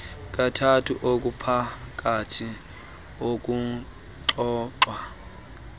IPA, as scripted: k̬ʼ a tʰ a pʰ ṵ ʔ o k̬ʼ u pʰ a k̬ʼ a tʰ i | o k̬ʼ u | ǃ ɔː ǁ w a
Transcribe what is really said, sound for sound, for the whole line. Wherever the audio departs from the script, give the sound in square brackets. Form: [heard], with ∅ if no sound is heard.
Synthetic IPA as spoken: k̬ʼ a tʰ a [tʰ] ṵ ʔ o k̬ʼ u pʰ a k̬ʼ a tʰ i | o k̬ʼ u | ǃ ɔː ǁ w a

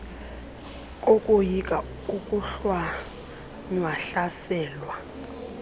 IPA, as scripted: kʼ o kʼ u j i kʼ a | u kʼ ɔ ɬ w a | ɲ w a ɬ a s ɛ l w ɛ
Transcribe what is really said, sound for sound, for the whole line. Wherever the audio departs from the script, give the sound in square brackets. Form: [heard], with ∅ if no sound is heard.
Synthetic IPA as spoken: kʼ o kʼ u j i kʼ a | u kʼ [u] ɬ w a | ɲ w a ɬ a s [ɛː] l w [a]

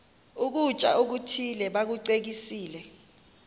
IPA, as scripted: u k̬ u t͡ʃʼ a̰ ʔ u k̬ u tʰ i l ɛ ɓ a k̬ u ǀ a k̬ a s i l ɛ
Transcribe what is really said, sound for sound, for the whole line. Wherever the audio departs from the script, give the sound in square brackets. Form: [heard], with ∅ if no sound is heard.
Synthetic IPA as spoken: u k̬ u t͡ʃʼ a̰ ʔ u k̬ u tʰ i l ɛ ɓ a k̬ u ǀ [e] k̬ [i] s [iː] l ɛ

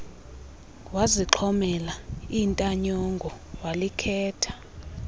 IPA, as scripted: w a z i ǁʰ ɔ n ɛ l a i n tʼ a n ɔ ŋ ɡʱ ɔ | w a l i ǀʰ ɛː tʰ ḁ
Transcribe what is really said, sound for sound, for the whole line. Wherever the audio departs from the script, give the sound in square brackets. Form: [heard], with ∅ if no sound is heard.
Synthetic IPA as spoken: w a z i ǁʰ ɔ [m] ɛ l a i n tʼ a [ɲ] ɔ ŋ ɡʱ ɔ | w a l i [kʰ] ɛː tʰ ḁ

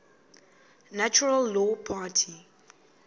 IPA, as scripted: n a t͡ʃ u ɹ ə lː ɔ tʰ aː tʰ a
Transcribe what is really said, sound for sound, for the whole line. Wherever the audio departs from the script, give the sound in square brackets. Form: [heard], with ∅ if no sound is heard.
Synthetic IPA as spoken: n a t͡ʃ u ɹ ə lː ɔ [pʰ] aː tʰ [i]

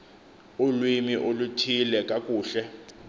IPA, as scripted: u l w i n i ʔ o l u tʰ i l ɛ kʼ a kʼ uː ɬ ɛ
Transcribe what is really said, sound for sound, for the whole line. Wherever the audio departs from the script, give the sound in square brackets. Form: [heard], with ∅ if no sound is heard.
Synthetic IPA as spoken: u l w i [m] i ʔ o l u tʰ i l ɛ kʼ a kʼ uː ɬ ɛ

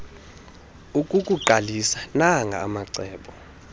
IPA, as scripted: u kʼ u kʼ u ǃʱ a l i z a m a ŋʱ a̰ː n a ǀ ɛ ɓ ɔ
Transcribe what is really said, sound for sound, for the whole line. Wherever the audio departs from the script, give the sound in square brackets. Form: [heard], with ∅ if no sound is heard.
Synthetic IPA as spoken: u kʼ u kʼ u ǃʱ a l i [s] a [n] a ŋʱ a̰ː [m] a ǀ [ɛː] ɓ ɔ

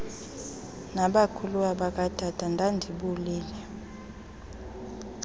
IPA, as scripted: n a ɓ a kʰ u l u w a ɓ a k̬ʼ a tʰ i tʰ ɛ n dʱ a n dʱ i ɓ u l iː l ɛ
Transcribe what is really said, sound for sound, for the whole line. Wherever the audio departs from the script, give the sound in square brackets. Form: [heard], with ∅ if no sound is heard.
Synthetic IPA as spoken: n a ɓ a kʰ u l u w a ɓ a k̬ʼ a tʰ [a] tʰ [a] n dʱ a n dʱ i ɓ u l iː l ɛ

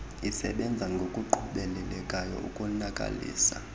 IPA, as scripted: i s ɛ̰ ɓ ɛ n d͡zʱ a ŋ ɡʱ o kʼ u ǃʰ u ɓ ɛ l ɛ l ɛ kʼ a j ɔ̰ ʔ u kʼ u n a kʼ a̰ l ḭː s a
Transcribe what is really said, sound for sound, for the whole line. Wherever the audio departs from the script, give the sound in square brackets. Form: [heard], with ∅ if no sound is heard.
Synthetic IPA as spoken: i s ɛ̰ ɓ ɛ n d͡zʱ a ŋ ɡʱ o kʼ u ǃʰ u ɓ ɛ l ɛ l ɛ kʼ a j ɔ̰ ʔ u kʼ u n a kʼ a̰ l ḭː s a

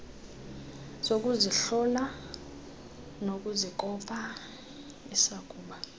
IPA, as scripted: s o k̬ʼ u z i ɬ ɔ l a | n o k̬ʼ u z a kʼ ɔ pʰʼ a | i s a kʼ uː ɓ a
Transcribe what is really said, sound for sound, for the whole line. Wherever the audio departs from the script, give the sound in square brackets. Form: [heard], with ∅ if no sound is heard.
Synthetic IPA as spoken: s o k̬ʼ u z i ɬ ɔ l a | n o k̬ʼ u z [i] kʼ ɔ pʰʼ a | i s a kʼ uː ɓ a

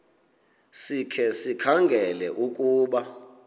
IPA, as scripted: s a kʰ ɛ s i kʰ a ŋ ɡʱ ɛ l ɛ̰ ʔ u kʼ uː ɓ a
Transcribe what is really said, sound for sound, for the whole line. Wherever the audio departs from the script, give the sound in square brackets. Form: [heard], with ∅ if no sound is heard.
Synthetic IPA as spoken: s [i] kʰ ɛ s i kʰ a ŋ ɡʱ ɛ l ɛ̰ ʔ u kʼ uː ɓ a

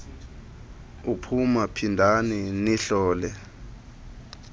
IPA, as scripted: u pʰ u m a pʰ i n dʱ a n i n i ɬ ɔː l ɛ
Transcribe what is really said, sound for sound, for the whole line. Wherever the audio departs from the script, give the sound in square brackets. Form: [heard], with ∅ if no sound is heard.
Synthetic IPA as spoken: u pʰ u m a pʰ i n dʱ a n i n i ɬ ɔː l ɛ

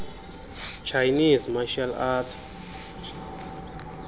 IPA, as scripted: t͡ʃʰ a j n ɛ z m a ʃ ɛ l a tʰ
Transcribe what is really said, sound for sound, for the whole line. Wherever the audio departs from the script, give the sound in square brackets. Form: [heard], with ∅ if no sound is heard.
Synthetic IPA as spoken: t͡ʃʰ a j n [i] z m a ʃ [a] l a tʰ

